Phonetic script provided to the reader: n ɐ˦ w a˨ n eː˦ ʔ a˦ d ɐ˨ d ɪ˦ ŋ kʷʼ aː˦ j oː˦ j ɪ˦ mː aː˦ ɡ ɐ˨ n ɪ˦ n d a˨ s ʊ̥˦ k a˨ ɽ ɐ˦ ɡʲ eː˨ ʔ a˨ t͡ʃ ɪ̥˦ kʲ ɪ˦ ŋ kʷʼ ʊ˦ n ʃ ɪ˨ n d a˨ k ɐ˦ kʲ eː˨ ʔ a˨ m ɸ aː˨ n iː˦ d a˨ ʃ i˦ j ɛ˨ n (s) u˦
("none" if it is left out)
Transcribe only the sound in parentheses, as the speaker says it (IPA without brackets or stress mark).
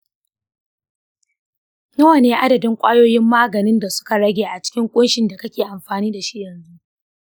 z